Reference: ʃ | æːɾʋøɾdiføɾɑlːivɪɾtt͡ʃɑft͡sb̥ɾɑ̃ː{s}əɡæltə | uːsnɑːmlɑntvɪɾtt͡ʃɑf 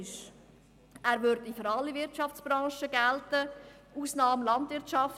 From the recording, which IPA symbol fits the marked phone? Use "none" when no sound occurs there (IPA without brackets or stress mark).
ʃ